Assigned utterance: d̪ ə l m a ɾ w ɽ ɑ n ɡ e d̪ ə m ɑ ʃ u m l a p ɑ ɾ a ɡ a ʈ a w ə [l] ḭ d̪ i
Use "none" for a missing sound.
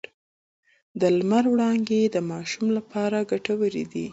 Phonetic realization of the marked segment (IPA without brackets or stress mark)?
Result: ɾ